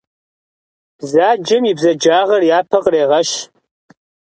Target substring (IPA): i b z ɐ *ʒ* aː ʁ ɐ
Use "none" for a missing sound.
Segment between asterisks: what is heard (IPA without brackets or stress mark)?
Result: d͡ʒ